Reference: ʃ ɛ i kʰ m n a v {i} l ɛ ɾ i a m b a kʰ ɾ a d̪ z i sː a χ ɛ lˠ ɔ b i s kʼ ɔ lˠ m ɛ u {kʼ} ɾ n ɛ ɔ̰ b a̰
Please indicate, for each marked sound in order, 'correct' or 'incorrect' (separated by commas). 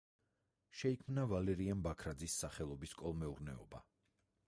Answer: incorrect, incorrect